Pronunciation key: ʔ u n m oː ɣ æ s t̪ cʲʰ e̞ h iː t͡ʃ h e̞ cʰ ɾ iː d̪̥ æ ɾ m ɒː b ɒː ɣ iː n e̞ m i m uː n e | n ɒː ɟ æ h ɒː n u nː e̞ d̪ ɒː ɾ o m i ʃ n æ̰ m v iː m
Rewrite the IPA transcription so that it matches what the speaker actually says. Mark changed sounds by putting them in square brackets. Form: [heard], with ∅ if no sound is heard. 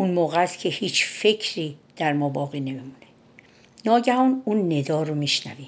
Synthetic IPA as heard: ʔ u n m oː ɣ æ s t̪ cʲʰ e̞ h iː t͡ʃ [f] e̞ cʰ ɾ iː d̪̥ æ ɾ m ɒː b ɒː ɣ iː n e̞ m i m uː n e | n ɒː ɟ æ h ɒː n u nː e̞ d̪ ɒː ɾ o m i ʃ n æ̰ [∅] v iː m